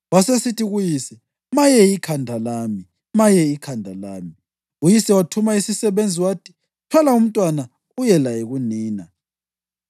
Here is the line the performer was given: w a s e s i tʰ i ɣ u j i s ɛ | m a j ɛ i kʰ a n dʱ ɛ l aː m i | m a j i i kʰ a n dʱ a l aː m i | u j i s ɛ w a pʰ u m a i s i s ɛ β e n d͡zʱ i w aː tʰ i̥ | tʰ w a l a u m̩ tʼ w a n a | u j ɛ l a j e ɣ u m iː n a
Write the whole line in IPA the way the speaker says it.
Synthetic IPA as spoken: w a s e s i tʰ i ɣ u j i s ɛ | m a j ɛ i kʰ a n dʱ a l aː m i | m a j ɛ i kʰ a n dʱ a l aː m i | u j i s ɛ w a tʰ u m a i s i s ɛ β e n d͡zʱ i w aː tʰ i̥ | tʰ w a l a u m̩ tʼ w a n a | u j ɛ l a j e ɣ u n iː n a